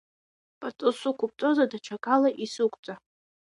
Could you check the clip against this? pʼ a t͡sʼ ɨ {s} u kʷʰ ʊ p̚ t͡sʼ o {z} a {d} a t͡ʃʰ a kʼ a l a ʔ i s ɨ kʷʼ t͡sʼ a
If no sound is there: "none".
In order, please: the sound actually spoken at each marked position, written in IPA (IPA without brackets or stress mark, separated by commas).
s, z, d